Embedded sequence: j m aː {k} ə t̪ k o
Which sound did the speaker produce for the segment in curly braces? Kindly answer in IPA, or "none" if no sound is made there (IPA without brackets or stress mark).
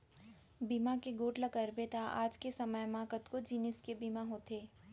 k